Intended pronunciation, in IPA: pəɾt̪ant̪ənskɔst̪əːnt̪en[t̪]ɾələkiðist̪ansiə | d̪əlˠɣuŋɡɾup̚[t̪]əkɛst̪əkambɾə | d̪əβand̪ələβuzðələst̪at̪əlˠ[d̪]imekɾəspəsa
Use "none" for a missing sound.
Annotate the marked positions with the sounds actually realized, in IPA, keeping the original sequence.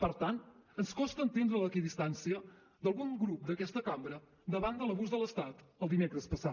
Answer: d̪, d̪, d̪

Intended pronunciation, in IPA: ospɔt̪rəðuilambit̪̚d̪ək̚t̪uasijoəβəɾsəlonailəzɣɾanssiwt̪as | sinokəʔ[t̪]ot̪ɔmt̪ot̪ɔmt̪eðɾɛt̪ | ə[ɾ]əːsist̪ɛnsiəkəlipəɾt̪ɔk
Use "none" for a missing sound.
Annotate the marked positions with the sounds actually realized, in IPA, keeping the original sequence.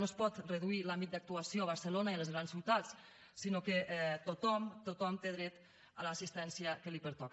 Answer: t̪, l

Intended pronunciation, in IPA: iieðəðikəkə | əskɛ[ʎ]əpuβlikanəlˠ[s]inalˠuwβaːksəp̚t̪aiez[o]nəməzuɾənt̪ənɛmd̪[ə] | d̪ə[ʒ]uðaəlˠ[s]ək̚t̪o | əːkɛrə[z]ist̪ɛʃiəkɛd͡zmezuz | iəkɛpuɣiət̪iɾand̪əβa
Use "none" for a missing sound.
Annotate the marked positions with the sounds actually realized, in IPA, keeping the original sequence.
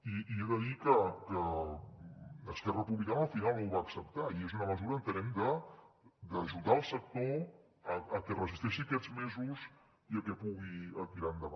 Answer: r, f, u, ə, ʒ, s, z

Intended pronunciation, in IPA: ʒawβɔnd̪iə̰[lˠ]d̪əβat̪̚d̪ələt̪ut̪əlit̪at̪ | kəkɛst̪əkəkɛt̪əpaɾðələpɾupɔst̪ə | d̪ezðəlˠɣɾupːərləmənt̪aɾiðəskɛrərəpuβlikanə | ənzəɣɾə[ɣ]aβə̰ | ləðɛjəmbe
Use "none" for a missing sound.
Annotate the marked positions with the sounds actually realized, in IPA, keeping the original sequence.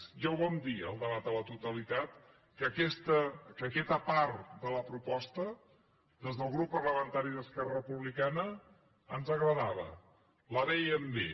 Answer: lˠ, ð

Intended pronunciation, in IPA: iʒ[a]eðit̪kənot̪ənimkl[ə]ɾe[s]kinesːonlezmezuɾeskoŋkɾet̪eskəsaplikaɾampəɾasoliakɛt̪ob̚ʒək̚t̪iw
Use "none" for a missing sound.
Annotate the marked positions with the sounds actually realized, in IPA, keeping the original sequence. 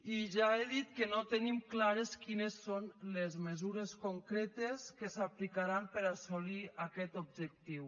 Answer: a, a, s

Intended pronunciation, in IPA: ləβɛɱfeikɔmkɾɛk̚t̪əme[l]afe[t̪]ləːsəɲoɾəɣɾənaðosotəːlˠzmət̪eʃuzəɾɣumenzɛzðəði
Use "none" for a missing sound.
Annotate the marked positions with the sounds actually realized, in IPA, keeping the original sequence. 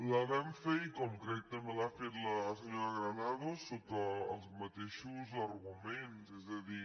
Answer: l, t̪

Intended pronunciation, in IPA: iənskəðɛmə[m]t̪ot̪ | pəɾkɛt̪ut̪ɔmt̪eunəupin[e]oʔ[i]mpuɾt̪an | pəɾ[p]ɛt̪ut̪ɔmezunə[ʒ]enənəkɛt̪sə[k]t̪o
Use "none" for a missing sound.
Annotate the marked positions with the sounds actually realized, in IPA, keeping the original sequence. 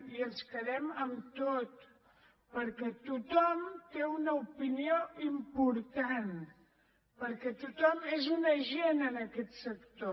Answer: m, i, i, k, ʒ, k

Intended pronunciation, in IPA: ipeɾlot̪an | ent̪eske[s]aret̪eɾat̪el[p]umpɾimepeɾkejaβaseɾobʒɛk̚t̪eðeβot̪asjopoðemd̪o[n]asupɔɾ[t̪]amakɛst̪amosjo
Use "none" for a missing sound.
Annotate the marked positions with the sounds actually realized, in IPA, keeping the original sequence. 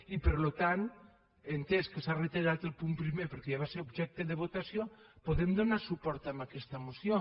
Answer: s, p, n, t̪

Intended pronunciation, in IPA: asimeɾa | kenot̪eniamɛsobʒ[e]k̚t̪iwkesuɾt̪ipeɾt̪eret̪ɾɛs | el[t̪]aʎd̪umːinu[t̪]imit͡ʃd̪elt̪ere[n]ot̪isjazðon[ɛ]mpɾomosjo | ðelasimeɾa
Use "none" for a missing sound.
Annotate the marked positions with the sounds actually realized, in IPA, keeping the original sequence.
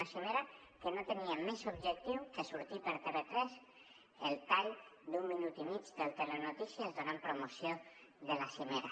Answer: e, t̪, t̪, n, a

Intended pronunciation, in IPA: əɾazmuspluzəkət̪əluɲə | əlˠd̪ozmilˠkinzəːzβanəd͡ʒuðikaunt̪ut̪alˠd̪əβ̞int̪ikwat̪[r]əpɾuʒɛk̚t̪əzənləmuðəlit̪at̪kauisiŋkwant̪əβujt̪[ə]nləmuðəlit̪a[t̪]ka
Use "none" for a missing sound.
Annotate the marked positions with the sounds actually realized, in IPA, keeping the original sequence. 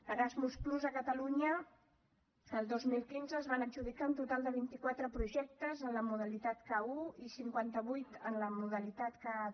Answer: ɾ, ə, t̪

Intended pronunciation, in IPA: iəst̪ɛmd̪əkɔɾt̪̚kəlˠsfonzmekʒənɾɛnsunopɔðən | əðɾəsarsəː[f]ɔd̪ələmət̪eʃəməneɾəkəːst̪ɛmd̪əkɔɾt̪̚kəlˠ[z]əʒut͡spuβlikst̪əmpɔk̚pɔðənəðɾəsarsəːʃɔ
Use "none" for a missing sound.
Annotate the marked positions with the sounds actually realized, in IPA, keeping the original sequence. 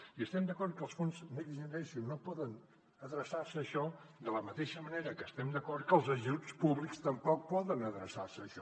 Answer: ʃ, z

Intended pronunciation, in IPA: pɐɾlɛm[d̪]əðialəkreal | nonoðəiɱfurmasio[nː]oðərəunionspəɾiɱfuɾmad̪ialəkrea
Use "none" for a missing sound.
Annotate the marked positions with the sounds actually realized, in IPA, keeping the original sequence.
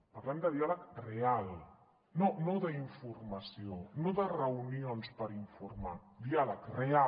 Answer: d̪, n

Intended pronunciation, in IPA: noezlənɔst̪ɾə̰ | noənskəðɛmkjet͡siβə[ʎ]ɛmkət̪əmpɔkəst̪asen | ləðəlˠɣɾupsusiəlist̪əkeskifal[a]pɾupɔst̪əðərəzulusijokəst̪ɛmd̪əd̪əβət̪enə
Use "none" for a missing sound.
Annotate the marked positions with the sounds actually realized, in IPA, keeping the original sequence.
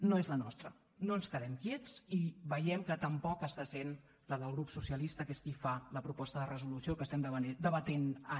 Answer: j, ə

